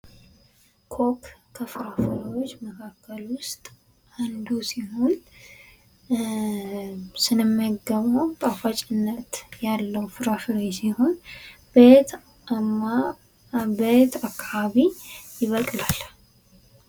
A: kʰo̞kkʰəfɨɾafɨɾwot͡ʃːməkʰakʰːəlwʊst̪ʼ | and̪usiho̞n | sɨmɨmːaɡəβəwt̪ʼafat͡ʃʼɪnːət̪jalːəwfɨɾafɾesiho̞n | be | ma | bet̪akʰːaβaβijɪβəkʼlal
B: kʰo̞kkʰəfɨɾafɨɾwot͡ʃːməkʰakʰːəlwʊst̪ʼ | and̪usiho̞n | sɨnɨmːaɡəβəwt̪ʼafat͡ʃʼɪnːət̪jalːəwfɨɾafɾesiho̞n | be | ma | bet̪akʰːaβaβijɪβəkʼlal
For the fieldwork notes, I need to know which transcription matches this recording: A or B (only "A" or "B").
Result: B